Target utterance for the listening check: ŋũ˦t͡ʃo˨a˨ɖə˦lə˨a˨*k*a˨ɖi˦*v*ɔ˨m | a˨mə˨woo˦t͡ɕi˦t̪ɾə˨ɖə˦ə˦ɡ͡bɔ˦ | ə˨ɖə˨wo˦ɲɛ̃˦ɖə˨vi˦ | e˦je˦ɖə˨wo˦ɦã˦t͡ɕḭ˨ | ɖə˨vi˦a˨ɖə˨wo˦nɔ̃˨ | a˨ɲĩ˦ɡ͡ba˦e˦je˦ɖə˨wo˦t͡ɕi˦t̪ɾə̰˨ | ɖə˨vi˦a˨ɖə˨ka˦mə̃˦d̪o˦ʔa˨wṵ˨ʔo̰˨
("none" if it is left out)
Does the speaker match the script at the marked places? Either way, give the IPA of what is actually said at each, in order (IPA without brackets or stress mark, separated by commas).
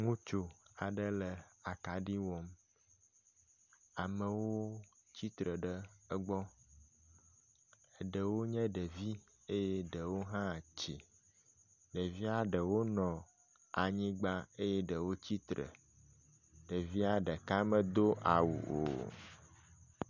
k, w